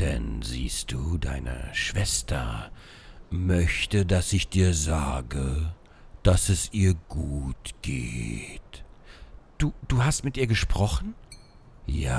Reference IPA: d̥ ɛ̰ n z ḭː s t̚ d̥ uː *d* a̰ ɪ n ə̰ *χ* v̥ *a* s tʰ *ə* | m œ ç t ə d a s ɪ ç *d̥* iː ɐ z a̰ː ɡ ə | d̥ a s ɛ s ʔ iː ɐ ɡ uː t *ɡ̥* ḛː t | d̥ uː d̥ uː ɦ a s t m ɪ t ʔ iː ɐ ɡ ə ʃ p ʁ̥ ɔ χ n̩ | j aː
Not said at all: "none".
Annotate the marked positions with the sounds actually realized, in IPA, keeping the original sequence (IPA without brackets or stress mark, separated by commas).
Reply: d, ʃ, ɛ, ɐ, d̥, ɡ̥